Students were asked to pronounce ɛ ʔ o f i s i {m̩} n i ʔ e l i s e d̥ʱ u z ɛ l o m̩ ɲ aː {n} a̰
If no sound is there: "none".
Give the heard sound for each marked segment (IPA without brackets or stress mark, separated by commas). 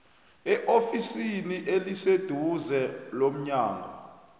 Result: none, ŋ